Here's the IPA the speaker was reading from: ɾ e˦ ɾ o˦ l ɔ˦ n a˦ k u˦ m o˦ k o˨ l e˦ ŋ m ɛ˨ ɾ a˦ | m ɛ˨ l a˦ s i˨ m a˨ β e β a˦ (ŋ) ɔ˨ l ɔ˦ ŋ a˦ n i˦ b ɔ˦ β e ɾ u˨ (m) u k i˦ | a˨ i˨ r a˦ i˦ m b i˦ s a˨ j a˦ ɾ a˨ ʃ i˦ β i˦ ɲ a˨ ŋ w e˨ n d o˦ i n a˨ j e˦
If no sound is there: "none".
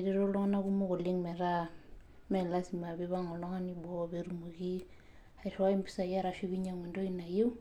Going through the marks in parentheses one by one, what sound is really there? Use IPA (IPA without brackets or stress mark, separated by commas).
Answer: ŋ, m